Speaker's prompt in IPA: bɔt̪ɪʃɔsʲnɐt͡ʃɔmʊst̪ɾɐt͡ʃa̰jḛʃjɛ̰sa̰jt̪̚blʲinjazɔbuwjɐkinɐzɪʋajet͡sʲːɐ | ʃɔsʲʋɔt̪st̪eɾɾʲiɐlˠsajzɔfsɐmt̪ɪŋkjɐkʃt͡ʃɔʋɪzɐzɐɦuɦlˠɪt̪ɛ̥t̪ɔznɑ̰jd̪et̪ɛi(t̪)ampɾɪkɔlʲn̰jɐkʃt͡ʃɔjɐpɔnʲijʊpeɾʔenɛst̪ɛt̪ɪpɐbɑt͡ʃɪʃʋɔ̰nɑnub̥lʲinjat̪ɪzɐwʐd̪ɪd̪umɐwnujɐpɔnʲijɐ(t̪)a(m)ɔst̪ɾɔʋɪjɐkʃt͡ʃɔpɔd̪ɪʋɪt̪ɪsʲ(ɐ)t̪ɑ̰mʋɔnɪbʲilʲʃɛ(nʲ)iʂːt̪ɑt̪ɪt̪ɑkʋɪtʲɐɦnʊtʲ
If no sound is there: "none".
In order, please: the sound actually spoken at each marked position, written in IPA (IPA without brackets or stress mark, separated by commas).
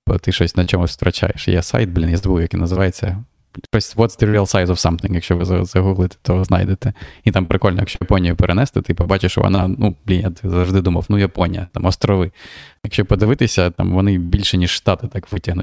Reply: t̪, t̪, m, ɐ, nʲ